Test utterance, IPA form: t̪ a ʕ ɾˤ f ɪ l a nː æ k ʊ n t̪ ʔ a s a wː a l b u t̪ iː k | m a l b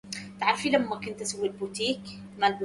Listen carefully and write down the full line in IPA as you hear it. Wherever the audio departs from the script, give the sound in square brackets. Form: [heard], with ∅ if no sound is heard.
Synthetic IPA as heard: t̪ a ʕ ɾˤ f [i] l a [mː] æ k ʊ n t̪ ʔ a s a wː [i] l b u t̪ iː k | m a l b

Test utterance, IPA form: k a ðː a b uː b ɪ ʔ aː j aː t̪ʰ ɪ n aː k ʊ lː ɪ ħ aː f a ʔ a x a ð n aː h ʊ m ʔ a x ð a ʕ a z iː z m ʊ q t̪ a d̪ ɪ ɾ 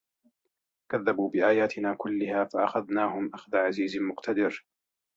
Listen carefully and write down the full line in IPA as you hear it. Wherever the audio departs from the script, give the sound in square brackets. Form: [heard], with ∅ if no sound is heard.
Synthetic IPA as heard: k a ðː a b uː b ɪ ʔ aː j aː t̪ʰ ɪ n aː k ʊ lː ɪ [h] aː f a ʔ a x a ð n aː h ʊ m ʔ a x ð a ʕ a z iː z m ʊ q t̪ a d̪ ɪ ɾ

